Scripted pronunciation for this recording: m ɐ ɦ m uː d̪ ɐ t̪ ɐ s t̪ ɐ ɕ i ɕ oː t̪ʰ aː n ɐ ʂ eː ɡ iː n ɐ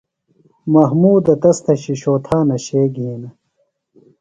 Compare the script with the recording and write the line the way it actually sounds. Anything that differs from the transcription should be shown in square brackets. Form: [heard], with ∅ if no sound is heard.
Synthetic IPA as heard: m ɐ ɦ m uː d̪ ɐ t̪ ɐ s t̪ ɐ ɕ i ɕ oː t̪ʰ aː n ɐ [ɕ] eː ɡ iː n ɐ